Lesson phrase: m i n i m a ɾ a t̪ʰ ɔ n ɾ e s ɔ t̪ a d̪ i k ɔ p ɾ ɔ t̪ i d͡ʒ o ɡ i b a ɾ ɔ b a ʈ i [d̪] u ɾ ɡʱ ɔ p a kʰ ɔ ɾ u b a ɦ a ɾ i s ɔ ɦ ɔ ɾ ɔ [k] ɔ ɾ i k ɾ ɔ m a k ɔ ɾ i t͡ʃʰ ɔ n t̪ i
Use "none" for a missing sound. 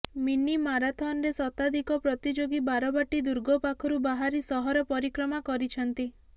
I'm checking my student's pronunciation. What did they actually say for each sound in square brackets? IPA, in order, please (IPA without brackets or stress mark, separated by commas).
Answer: d̪, p